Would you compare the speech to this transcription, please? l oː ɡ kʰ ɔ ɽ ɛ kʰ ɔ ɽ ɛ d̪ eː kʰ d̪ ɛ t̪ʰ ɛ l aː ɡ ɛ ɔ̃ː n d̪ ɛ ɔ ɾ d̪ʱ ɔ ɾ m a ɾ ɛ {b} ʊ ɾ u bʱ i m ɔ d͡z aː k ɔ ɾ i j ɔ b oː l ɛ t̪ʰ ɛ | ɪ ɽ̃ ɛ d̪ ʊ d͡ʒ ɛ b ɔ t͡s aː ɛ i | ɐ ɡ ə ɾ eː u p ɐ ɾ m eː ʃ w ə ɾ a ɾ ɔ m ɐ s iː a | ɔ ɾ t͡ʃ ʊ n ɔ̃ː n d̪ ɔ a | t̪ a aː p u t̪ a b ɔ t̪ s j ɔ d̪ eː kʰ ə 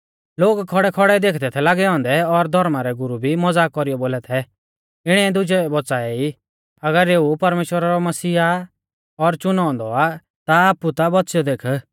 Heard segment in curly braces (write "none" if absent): ɡ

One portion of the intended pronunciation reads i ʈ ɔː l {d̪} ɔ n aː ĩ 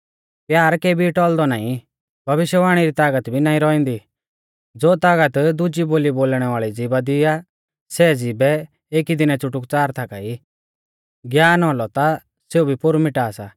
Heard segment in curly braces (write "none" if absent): d̪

